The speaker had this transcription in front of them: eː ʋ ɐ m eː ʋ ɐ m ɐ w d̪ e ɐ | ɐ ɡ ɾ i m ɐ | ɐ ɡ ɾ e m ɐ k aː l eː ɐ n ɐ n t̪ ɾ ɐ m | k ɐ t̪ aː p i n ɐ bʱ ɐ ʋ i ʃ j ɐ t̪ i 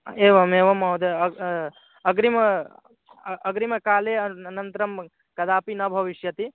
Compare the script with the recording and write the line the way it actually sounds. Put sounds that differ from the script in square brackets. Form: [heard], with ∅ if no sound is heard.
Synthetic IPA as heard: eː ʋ ɐ m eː ʋ ɐ m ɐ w d̪ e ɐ | ɐ ɡ ɾ i m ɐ | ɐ ɡ ɾ [i] m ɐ k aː l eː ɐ n ɐ n t̪ ɾ ɐ m | k ɐ [d̪] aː p i n ɐ bʱ ɐ ʋ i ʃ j ɐ t̪ i